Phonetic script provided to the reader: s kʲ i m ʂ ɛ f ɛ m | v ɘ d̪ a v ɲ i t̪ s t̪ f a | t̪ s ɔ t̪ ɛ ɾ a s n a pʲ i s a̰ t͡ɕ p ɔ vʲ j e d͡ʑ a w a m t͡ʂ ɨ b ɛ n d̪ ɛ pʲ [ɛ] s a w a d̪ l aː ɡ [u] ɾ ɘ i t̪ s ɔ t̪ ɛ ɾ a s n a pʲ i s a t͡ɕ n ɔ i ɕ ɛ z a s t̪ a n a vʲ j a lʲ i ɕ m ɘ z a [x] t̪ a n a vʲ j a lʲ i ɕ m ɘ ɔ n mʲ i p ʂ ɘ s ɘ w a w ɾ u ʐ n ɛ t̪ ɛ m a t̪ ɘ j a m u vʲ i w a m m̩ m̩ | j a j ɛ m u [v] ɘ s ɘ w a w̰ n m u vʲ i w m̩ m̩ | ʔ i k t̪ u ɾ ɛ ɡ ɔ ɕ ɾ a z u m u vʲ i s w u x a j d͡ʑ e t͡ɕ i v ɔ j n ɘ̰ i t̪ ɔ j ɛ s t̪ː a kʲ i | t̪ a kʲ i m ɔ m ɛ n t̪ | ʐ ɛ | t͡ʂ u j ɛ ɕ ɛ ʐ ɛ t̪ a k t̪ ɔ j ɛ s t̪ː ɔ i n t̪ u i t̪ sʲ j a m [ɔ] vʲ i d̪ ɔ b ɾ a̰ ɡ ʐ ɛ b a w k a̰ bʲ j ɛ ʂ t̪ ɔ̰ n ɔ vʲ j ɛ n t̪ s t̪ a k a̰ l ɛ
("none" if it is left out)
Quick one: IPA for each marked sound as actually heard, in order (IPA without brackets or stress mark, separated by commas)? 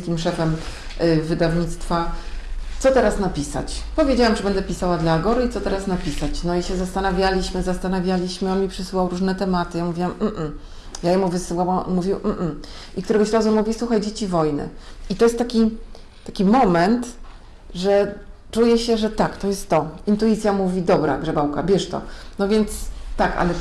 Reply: i, ɔ, s, v, u